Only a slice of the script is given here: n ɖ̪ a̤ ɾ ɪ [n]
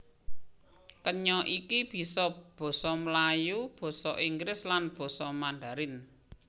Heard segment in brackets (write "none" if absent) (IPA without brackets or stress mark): n